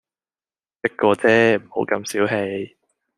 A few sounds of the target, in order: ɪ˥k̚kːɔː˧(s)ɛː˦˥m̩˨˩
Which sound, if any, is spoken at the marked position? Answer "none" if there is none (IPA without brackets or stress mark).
t͡s